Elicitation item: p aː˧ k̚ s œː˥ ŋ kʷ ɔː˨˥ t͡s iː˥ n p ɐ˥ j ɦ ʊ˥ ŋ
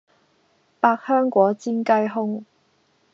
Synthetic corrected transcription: p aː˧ k̚ h œː˥ ŋ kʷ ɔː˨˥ t͡s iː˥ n k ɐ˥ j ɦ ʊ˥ ŋ